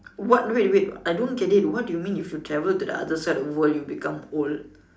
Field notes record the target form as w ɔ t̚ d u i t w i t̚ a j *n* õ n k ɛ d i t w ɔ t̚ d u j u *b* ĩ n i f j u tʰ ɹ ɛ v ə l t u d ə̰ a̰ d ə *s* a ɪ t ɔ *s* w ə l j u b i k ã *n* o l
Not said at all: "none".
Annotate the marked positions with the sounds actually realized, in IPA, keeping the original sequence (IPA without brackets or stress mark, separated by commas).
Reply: d, m, s, f, m